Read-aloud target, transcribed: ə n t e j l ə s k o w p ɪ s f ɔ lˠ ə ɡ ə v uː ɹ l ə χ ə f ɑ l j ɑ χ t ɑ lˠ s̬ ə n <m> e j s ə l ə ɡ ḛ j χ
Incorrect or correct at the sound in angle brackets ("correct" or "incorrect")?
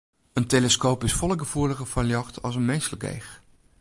correct